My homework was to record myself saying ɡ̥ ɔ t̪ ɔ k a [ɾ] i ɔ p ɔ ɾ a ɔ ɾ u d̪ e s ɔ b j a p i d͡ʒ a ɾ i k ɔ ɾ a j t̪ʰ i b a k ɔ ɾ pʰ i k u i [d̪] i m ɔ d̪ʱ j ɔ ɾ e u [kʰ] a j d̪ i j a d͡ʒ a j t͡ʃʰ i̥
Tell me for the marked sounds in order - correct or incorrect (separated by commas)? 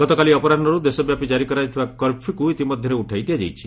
incorrect, incorrect, incorrect